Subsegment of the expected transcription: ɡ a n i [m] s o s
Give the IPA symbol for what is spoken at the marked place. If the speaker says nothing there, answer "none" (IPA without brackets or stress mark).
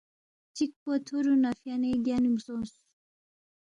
m